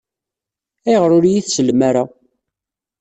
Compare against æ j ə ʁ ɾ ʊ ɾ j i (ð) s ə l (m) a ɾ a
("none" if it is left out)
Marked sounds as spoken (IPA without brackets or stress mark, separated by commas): θ, m